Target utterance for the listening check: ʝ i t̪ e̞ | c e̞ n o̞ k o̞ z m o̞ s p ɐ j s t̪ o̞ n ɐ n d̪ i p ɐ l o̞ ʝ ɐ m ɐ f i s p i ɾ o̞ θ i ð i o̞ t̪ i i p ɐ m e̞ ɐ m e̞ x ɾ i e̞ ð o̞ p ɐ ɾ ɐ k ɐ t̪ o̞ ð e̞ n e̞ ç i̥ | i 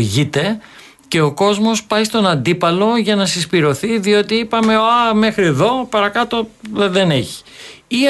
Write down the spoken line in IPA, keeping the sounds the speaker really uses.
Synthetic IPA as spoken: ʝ i t̪ e̞ | c e̞ o̞ k o̞ z m o̞ s p ɐ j s t̪ o̞ n ɐ n d̪ i p ɐ l o̞ ʝ ɐ n ɐ s i s p i ɾ o̞ θ i ð i o̞ t̪ i i p ɐ m e̞ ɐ m e̞ x ɾ i e̞ ð o̞ p ɐ ɾ ɐ k ɐ t̪ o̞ ð e̞ n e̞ ç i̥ | i